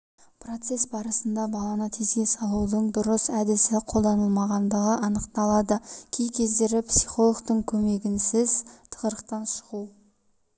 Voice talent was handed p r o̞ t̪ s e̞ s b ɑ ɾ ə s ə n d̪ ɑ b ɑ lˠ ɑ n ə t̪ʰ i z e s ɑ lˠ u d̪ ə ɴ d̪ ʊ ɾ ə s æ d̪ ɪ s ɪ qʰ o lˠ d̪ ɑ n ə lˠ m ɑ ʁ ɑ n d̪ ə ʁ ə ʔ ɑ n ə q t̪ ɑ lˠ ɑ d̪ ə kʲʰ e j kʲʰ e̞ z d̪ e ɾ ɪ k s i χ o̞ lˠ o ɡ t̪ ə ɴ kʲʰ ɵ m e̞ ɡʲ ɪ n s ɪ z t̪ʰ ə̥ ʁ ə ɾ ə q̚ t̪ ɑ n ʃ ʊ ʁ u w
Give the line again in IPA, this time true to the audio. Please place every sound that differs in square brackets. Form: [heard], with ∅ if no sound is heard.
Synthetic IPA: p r o̞ t̪ s e̞ s b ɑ ɾ ə s ə n d̪ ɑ b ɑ lˠ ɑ n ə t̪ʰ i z e s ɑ lˠ u d̪ ə ɴ d̪ ʊ ɾ ə s æ d̪ ɪ s ɪ qʰ o lˠ d̪ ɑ n ə lˠ m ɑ ʁ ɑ n d̪ ə ʁ ə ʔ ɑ n ə q t̪ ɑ lˠ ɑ d̪ ə kʲʰ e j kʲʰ e̞ z d̪ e ɾ ɪ [p] s i χ o̞ lˠ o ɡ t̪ ə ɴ kʲʰ ɵ m e̞ ɡʲ ɪ n s ɪ z t̪ʰ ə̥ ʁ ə ɾ ə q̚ t̪ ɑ n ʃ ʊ ʁ u w